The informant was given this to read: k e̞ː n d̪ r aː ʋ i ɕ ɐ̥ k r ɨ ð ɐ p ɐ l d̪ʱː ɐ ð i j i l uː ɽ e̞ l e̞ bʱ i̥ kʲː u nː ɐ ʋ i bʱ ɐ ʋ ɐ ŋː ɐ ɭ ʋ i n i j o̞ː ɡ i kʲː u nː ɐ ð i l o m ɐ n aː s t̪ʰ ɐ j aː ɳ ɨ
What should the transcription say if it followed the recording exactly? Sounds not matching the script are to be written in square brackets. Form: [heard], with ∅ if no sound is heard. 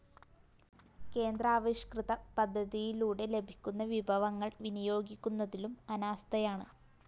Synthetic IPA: k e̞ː n d̪ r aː ʋ i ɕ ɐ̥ k r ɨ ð ɐ p ɐ [∅] d̪ʱː ɐ ð i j i l uː ɽ e̞ l e̞ bʱ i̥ kʲː u nː ɐ ʋ i bʱ ɐ ʋ ɐ ŋː ɐ ɭ ʋ i n i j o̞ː ɡ i kʲː u nː ɐ ð i l [u] m ɐ n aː s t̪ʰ ɐ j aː ɳ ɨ